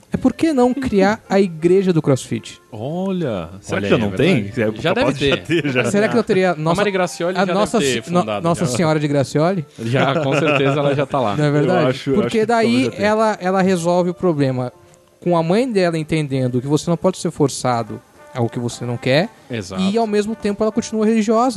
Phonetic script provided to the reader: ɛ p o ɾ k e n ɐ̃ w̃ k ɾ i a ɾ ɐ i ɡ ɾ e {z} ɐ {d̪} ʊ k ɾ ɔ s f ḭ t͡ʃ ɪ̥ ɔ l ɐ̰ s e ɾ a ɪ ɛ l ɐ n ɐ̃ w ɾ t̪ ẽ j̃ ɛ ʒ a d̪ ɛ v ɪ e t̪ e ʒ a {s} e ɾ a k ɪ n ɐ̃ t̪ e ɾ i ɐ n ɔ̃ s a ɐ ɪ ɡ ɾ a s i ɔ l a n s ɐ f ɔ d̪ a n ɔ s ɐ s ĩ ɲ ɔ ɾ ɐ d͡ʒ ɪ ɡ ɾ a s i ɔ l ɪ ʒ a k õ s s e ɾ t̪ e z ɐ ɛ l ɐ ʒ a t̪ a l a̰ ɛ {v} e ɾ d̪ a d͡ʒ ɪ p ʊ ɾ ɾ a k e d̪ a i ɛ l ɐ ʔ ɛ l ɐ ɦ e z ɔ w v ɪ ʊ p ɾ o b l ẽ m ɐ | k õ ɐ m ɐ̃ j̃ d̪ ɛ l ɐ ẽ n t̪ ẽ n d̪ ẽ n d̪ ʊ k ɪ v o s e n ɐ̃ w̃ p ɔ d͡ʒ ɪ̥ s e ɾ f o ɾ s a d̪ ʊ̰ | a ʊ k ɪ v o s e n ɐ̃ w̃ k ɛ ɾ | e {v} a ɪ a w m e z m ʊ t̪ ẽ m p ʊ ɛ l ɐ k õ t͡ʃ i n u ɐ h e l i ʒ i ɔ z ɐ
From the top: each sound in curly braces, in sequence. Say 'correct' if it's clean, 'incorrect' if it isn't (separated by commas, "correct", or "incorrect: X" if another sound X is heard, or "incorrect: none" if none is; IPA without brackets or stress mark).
incorrect: ʒ, correct, correct, correct, incorrect: z